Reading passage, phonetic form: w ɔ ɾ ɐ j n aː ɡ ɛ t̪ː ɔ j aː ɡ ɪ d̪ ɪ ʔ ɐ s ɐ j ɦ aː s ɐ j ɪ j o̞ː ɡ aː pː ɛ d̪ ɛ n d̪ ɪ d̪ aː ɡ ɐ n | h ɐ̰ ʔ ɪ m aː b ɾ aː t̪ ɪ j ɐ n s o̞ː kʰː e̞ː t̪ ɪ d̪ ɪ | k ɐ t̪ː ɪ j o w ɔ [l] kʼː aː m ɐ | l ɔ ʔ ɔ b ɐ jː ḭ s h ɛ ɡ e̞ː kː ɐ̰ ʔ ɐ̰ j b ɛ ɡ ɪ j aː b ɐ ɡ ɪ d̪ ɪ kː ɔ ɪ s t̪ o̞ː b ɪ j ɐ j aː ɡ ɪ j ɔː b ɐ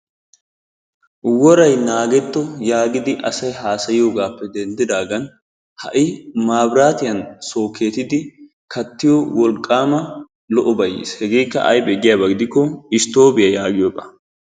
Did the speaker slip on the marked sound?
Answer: no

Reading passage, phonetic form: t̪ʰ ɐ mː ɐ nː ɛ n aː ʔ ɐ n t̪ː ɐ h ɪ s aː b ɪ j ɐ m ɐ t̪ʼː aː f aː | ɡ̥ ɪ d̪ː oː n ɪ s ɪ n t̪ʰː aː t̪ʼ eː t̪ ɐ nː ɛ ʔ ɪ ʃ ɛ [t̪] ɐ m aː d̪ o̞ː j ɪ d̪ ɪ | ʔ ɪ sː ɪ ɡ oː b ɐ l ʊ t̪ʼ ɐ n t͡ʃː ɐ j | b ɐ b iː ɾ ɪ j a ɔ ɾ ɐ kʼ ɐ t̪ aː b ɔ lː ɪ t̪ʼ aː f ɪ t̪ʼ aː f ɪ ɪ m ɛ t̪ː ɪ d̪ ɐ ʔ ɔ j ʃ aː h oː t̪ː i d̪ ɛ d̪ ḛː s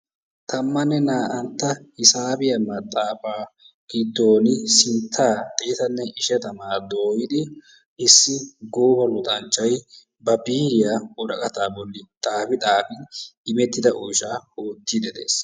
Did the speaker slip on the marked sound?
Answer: no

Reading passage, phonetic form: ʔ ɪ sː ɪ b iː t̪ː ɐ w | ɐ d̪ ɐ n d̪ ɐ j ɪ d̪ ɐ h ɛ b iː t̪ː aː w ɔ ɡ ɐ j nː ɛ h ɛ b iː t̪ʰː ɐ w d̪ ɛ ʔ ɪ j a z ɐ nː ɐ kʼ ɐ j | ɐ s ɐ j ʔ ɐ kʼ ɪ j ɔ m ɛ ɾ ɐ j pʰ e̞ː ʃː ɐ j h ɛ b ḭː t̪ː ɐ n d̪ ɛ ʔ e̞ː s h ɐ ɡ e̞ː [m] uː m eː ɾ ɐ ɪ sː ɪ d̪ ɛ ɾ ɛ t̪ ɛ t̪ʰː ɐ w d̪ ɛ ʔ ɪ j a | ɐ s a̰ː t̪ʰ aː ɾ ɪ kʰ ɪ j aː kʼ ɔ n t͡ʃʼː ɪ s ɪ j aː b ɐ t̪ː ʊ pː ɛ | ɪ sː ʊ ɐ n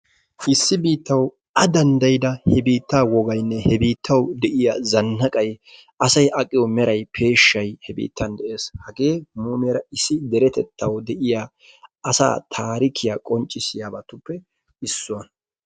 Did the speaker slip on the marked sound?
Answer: no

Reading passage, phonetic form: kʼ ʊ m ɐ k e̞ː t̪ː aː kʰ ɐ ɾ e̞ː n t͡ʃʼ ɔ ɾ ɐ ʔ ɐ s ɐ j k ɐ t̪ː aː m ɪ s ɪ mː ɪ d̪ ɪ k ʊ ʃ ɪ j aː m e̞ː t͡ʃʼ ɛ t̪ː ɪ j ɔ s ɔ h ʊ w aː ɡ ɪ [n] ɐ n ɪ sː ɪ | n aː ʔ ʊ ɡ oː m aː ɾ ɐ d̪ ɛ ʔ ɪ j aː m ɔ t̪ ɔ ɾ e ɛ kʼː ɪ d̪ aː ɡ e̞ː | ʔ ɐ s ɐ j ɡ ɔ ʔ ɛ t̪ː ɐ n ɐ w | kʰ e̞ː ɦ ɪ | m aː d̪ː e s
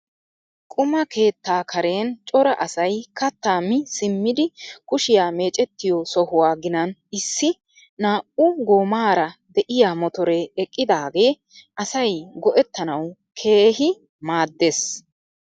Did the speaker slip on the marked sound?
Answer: no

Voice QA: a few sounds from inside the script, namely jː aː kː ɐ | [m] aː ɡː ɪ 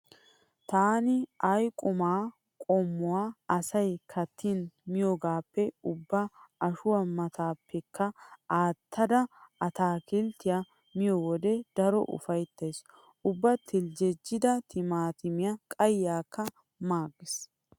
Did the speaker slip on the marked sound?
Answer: no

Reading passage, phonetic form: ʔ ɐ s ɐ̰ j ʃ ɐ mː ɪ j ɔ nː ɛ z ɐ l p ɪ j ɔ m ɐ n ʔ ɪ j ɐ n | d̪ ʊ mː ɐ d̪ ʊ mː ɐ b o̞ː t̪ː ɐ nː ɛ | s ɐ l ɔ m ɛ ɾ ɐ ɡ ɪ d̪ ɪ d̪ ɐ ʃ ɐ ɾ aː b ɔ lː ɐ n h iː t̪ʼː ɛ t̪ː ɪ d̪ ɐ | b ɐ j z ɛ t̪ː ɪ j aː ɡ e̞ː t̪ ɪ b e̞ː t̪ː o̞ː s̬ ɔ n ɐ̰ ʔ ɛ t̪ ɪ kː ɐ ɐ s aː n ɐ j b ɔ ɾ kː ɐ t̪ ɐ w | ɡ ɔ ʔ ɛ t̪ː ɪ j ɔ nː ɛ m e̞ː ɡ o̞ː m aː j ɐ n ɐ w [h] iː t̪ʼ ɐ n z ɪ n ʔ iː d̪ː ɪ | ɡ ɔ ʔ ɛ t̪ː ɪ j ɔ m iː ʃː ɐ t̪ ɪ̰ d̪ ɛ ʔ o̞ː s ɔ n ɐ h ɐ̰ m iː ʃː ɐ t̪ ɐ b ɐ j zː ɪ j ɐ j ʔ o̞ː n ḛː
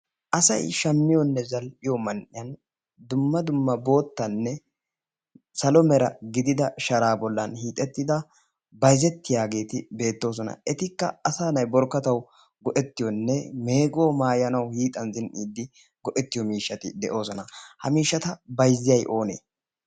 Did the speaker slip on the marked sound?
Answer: no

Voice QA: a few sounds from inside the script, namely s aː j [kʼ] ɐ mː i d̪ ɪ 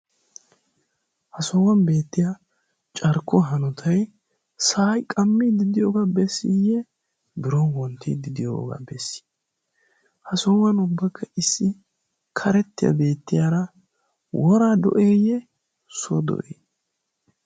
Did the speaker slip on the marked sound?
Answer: no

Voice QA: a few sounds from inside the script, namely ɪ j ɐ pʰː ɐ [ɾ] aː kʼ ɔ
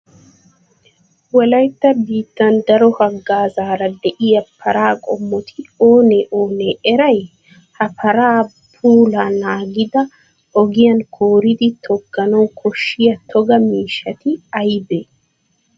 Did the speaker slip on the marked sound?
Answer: no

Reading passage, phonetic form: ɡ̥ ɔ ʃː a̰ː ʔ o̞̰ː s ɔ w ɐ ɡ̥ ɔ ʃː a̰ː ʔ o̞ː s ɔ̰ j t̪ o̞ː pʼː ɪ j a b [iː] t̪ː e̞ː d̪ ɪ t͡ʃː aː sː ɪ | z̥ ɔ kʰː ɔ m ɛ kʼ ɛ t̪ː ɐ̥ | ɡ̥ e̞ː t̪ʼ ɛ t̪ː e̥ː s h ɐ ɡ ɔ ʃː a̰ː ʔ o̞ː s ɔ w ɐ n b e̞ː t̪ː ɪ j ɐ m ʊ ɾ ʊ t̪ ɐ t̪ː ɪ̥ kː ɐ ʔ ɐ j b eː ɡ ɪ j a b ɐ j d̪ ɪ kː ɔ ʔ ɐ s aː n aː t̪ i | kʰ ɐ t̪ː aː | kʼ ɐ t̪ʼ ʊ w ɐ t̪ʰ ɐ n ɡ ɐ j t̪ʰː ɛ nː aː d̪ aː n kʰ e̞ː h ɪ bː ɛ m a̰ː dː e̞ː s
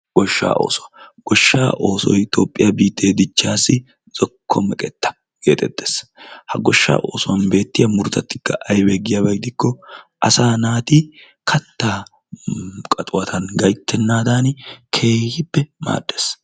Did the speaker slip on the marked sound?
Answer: no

